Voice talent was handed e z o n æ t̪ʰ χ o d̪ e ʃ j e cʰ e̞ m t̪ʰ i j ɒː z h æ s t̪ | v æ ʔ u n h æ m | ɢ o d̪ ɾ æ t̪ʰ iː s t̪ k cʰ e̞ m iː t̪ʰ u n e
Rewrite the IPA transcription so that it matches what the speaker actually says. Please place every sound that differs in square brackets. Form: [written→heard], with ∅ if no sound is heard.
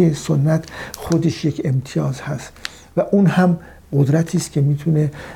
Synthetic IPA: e [z→s] o [n→nː] æ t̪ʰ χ o d̪ e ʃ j e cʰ e̞ m t̪ʰ i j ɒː z h æ s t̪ | v æ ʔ u n h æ m | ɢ o d̪ ɾ æ t̪ʰ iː s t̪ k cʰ e̞ m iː t̪ʰ u n e